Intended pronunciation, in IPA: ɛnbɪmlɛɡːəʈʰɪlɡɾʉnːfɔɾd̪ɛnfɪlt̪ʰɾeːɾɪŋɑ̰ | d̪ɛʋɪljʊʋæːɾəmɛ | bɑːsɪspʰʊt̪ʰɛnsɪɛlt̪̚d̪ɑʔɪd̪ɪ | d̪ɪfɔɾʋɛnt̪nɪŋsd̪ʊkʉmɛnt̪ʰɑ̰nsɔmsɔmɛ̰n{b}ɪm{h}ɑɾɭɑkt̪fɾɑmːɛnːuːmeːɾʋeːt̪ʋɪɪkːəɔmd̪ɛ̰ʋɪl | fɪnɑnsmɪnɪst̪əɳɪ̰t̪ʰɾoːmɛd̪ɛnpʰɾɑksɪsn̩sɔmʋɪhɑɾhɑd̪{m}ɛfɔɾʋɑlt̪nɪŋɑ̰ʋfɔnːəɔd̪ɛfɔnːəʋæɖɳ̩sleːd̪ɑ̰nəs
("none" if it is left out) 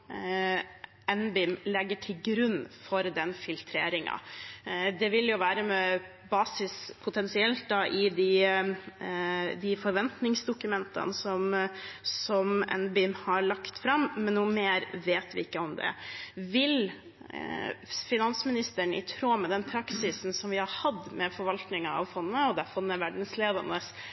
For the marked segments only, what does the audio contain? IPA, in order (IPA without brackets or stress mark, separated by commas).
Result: b, h, m